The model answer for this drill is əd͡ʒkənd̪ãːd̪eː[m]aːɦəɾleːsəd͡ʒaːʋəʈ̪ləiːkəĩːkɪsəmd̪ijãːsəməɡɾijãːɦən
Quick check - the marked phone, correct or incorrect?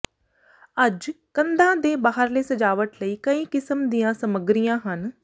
incorrect